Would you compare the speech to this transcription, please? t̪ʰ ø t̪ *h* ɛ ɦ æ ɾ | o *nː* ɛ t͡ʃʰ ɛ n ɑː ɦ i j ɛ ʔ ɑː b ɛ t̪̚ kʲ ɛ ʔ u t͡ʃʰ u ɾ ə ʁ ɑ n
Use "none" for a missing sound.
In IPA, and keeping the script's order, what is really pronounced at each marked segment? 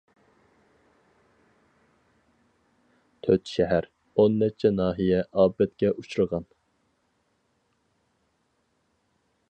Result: ʃ, nː

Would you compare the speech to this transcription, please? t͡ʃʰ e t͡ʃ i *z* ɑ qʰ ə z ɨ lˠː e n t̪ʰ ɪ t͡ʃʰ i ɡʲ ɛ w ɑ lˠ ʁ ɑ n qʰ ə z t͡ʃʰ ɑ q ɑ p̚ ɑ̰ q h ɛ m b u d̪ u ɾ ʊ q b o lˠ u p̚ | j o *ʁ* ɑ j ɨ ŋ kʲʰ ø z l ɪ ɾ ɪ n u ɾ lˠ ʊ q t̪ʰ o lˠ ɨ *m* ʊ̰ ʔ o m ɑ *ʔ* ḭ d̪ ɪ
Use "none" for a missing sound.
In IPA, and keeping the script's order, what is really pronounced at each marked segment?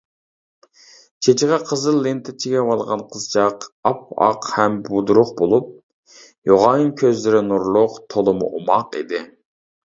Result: ʁ, ʁ, m, q

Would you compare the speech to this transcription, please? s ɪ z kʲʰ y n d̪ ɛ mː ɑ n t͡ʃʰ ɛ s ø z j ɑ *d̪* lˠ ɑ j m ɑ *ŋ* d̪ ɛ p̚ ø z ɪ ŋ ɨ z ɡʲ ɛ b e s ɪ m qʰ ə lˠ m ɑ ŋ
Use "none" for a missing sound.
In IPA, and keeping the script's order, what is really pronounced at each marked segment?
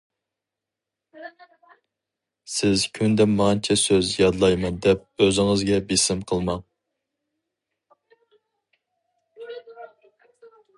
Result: d̪, n

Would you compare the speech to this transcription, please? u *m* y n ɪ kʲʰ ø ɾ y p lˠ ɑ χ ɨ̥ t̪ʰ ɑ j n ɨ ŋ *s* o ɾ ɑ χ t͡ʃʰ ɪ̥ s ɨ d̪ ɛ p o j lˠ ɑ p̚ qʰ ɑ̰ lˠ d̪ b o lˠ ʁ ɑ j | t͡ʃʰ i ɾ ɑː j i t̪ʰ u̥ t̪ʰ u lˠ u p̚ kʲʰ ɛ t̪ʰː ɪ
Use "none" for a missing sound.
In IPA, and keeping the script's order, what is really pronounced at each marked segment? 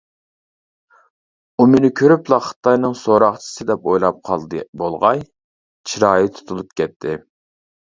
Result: m, s

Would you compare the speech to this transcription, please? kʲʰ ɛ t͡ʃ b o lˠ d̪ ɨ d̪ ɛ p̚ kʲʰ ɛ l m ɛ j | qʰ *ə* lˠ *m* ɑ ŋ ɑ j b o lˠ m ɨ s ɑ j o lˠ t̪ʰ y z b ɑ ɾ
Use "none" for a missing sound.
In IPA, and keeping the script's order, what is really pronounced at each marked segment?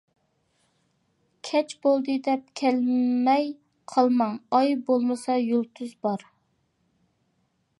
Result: ɑ, m

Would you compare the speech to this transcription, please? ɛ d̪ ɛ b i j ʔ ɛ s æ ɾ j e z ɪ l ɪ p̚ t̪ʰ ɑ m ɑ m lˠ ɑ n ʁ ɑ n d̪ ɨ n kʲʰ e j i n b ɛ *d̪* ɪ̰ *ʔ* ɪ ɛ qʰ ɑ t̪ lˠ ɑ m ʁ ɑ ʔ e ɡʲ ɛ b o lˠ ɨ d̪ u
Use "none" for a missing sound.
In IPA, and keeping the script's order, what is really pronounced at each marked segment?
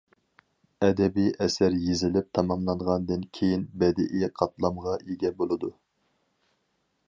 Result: d̪, ʔ

